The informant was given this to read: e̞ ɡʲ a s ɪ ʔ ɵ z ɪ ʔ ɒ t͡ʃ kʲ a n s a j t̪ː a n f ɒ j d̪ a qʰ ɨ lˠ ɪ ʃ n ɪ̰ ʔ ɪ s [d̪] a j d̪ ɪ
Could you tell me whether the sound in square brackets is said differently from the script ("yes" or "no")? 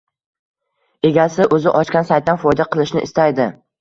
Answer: yes